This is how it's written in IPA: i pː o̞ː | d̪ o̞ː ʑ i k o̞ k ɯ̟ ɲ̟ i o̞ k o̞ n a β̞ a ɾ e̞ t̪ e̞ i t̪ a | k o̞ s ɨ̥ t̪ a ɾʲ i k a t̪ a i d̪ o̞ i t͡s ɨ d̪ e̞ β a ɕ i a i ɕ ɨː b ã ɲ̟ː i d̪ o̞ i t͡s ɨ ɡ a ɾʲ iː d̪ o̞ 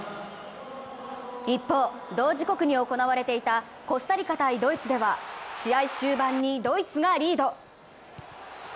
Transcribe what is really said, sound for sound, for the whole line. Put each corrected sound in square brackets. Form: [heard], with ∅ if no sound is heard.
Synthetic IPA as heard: i pː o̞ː | d̪ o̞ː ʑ i k o̞ k ɯ̟ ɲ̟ i o̞ k o̞ n a β̞ a ɾ e̞ t̪ e̞ i t̪ a | k o̞ s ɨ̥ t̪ a ɾʲ i k a t̪ a i d̪ o̞ i t͡s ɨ d̪ e̞ β a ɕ i a i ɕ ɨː b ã ɲ̟ː i d̪ o̞ i t͡s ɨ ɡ a ɾʲ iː d̪ o̞

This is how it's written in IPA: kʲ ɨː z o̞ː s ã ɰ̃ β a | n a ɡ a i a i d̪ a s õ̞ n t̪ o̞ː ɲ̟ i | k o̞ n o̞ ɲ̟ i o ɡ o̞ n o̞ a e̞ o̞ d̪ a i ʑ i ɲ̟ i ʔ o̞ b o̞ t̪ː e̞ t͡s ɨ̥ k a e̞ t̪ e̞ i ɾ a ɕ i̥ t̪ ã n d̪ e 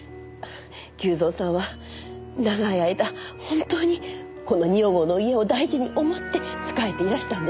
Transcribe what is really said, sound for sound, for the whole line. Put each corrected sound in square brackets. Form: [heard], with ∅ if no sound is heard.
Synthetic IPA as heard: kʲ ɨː z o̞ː s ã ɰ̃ β a | n a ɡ a i a i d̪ a [h] õ̞ n t̪ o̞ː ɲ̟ i | k o̞ n o̞ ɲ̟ i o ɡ o̞ n o̞ [i] e̞ o̞ d̪ a i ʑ i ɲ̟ i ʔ o̞ [m] o̞ t̪ː e̞ t͡s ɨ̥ k a e̞ t̪ e̞ i ɾ a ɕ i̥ t̪ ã n d̪ e

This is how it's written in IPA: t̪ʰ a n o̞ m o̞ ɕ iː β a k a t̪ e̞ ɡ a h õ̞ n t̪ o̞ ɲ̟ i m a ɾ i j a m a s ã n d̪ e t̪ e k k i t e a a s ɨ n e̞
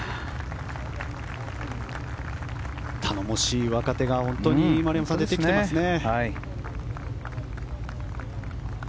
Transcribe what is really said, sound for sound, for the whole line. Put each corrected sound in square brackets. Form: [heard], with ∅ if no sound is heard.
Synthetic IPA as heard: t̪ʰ a n o̞ m o̞ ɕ iː β a k a t̪ e̞ ɡ a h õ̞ n t̪ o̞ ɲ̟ i m a ɾ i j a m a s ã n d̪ e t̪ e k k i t e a a s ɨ n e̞

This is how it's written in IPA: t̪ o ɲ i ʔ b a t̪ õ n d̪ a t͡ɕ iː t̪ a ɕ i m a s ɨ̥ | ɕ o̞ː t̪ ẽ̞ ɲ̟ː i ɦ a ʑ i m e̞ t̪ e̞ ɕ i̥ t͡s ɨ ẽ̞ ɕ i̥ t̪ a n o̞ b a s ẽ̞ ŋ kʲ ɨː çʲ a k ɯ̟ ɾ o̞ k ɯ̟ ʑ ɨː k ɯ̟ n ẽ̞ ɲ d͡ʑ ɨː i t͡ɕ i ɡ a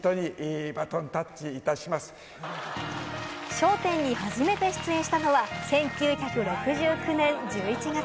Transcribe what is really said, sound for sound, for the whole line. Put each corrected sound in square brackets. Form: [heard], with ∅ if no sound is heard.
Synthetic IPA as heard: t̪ o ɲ i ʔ b a t̪ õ n [t̪] a t͡ɕ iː t̪ a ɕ i m a s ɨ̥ | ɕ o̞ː t̪ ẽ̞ ɲ̟ː i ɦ a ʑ i m e̞ t̪ e̞ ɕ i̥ t͡s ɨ ẽ̞ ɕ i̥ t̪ a n o̞ [β] a s ẽ̞ ŋ kʲ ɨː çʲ a k ɯ̟ ɾ o̞ k ɯ̟ ʑ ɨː k ɯ̟ n ẽ̞ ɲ d͡ʑ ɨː i t͡ɕ i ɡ a

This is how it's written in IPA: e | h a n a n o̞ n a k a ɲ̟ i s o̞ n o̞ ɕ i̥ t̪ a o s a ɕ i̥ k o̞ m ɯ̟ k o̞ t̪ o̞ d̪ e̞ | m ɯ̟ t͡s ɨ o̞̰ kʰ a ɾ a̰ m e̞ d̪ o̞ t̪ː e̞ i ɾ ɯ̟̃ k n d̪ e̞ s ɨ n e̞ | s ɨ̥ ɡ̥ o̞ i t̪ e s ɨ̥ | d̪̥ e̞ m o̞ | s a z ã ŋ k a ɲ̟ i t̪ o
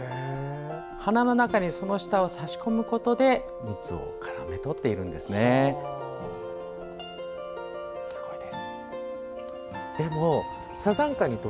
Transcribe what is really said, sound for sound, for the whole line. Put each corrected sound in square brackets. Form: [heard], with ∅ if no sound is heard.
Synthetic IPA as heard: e | h a n a n o̞ n a k a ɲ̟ i s o̞ n o̞ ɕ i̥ t̪ a o s a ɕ i̥ k o̞ m ɯ̟ k o̞ t̪ o̞ d̪ e̞ | m ɯ̟ t͡s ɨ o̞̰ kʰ a ɾ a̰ m e̞ [t̪] o̞ t̪ː e̞ i ɾ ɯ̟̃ [∅] n d̪ e̞ s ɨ n e̞ | s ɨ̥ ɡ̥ o̞ i [d̪] e s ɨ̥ | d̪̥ e̞ m o̞ | s a z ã ŋ k a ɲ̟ i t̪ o

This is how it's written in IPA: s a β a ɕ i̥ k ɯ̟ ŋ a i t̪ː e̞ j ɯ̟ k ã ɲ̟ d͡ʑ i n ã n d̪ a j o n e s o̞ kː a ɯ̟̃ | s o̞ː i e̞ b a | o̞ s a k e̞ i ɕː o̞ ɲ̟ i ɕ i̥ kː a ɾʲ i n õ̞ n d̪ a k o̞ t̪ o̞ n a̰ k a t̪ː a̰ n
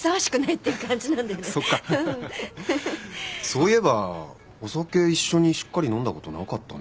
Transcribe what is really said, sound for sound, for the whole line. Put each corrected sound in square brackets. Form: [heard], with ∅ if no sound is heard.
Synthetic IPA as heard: s a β a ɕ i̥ k ɯ̟ [n] a i t̪ː e̞ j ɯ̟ k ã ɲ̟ d͡ʑ i n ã n d̪ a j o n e s o̞ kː a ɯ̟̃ | s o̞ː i e̞ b a | o̞ s a k e̞ i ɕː o̞ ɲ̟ i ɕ i̥ kː a ɾʲ i n õ̞ n d̪ a k o̞ t̪ o̞ n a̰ k a t̪ː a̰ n

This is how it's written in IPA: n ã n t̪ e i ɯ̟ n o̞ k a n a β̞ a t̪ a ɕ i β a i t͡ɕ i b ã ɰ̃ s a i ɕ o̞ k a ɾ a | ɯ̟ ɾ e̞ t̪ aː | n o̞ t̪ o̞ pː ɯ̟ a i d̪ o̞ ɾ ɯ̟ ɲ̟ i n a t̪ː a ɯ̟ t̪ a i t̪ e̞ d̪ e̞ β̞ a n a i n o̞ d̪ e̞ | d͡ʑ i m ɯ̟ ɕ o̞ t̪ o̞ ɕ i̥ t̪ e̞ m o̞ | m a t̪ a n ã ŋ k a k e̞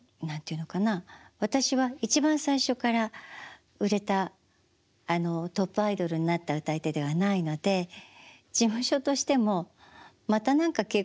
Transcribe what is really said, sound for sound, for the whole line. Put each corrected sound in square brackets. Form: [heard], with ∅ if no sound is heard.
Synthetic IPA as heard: n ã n t̪ e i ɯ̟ n o̞ k a n a β̞ a t̪ a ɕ i β a i t͡ɕ i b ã ɰ̃ s a i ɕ o̞ k a ɾ a | ɯ̟ ɾ e̞ t̪ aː | n o̞ t̪ o̞ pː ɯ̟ a i d̪ o̞ ɾ ɯ̟ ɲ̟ i n a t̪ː a ɯ̟ t̪ a i t̪ e̞ d̪ e̞ β̞ a n a i n o̞ d̪ e̞ | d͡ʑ i m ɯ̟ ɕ o̞ t̪ o̞ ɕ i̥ t̪ e̞ m o̞ | m a t̪ a n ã ŋ k a k e̞

